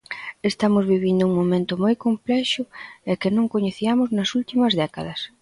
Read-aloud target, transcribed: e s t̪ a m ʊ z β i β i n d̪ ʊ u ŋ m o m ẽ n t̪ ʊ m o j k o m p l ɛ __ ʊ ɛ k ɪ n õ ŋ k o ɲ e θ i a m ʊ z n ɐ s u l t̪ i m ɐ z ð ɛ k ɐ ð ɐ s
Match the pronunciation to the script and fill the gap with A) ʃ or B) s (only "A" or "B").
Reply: A